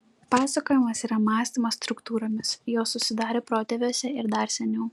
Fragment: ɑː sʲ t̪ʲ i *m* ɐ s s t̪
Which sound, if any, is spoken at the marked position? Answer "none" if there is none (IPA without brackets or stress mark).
m